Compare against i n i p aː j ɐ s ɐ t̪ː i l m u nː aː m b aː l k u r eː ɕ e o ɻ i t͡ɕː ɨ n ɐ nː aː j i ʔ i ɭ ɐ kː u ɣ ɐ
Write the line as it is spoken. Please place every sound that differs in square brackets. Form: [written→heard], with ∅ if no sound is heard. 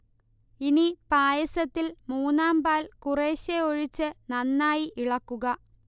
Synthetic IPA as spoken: i n i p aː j ɐ s ɐ t̪ː i l m [u→uː] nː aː m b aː l k u r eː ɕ e o ɻ i t͡ɕː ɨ n ɐ nː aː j i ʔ i ɭ ɐ kː u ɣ ɐ

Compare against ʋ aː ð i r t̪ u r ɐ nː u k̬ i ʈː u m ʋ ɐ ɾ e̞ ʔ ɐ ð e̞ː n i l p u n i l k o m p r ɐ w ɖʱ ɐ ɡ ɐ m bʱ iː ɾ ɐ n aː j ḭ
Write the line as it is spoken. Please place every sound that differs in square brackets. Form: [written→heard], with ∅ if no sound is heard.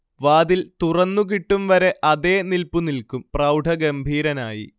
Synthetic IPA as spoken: ʋ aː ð i [r→l] t̪ u r ɐ nː u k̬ i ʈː u m ʋ ɐ ɾ e̞ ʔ ɐ ð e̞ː n i l p u n i l k [o→u] m p r ɐ w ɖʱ ɐ ɡ ɐ m bʱ iː ɾ ɐ n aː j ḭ

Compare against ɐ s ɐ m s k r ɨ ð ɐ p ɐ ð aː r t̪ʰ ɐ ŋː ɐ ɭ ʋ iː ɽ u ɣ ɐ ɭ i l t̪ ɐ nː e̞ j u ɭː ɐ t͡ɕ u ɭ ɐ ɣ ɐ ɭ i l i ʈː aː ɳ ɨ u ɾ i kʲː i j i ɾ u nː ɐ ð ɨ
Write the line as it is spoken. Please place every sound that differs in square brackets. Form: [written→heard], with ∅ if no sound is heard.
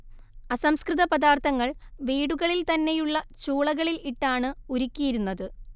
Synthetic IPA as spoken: ɐ s ɐ m s k r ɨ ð ɐ p ɐ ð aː r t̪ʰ ɐ ŋː ɐ ɭ ʋ iː ɽ u ɣ ɐ ɭ i l t̪ ɐ nː e̞ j u ɭː ɐ t͡ɕ [u→uː] ɭ ɐ ɣ ɐ ɭ i l i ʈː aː ɳ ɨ u ɾ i kʲː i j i ɾ u nː ɐ ð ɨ

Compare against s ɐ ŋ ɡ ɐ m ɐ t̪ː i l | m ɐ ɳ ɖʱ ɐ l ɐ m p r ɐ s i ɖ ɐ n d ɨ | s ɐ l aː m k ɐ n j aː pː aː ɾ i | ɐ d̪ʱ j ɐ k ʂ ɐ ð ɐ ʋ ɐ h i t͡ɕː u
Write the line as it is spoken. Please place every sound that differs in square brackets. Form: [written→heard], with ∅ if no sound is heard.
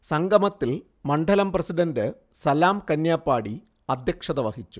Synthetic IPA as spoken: s ɐ ŋ ɡ ɐ m ɐ t̪ː i l | m ɐ ɳ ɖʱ ɐ l ɐ m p r ɐ s i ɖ ɐ n d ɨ | s ɐ l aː m k ɐ n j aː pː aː [ɾ→ɽ] i | ɐ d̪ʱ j ɐ k ʂ ɐ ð ɐ ʋ ɐ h i t͡ɕː u

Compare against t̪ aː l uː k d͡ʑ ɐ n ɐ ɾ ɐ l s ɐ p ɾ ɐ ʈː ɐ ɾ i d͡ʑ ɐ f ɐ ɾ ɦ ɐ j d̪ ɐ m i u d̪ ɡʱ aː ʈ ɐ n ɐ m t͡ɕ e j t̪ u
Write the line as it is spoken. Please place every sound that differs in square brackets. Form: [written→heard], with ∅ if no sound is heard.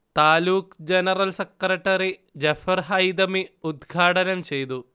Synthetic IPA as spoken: t̪ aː l uː k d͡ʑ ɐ n ɐ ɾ ɐ l s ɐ [p→k] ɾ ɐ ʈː ɐ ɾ i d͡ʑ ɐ f ɐ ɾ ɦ ɐ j d̪ ɐ m i u d̪ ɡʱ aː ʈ ɐ n ɐ m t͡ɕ e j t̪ u

